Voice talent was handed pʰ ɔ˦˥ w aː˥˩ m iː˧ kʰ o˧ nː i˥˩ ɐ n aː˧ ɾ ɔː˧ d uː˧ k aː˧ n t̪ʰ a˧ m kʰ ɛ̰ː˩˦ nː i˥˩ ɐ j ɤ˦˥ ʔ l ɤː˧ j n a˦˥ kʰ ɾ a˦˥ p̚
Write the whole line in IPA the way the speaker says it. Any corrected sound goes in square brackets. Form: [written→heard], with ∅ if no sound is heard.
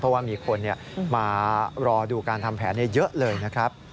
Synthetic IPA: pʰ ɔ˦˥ w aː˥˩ m iː˧ kʰ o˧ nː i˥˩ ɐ [n→m] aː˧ ɾ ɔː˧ d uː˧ k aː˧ n t̪ʰ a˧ m [kʰ→pʰ] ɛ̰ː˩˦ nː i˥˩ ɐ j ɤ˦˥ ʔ l ɤː˧ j n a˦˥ kʰ ɾ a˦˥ p̚